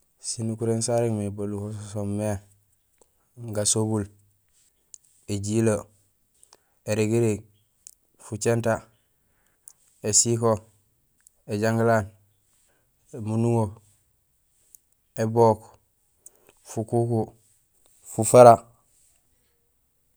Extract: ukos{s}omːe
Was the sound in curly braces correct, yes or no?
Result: yes